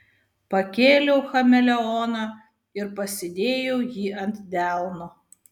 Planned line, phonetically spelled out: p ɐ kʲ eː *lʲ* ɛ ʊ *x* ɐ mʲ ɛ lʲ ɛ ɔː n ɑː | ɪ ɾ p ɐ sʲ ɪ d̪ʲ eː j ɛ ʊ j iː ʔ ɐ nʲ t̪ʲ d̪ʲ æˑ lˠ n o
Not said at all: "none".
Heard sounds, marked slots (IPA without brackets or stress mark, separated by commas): lʲ, x